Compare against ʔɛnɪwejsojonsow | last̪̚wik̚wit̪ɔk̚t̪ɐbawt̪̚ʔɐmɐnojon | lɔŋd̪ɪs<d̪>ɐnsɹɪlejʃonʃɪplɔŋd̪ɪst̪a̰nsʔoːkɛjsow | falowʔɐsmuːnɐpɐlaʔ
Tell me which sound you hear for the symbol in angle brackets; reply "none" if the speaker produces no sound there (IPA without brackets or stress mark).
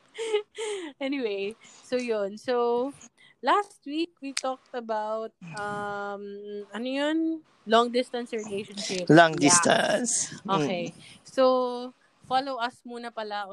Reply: t̪